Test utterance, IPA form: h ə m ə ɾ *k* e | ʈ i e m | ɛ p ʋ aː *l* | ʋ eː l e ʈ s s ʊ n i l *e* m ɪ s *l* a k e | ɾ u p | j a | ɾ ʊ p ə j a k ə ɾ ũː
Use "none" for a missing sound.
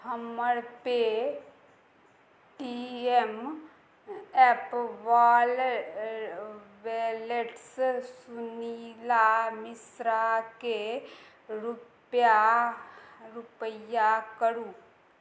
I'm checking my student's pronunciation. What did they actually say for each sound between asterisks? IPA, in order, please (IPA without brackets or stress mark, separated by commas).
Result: p, l, a, ɾ